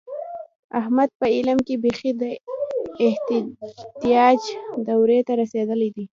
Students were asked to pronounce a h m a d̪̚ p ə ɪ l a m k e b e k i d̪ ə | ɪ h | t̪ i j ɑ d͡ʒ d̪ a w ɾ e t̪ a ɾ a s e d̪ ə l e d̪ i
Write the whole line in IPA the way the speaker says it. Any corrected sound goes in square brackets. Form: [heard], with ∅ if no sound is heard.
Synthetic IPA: a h m a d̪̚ p ə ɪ l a m k e b e [x] i d̪ ə | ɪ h | t̪ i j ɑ d͡ʒ d̪ a w ɾ e t̪ a ɾ a s e d̪ ə l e d̪ i